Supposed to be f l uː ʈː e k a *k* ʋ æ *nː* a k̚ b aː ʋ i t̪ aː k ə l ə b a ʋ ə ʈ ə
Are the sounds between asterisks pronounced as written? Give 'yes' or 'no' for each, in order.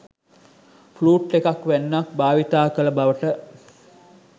yes, yes

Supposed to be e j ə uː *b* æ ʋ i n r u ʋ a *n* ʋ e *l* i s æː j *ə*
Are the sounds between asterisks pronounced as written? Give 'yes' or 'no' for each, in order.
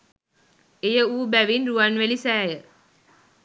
yes, yes, yes, yes

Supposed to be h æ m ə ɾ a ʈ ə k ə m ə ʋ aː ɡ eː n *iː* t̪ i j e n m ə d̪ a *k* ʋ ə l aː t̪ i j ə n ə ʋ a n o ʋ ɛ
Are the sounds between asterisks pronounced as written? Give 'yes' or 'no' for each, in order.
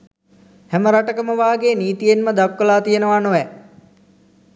yes, yes

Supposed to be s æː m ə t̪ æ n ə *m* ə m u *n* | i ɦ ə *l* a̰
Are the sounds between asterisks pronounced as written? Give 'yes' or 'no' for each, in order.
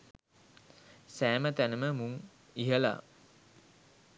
yes, no, yes

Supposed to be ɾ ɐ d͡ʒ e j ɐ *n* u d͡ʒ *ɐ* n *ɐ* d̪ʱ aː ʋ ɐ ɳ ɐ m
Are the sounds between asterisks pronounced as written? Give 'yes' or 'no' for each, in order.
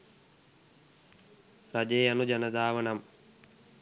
yes, yes, yes

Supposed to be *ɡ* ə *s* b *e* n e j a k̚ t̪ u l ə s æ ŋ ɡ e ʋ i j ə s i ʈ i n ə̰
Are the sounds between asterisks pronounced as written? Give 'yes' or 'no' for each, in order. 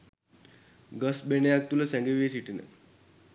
yes, yes, yes

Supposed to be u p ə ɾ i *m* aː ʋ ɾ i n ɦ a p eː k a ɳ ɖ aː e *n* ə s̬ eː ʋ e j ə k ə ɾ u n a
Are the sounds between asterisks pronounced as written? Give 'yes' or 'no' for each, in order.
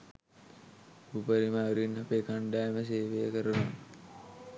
yes, no

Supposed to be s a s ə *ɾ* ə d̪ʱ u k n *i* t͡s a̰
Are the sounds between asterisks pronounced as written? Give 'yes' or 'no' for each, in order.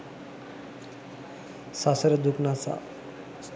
yes, no

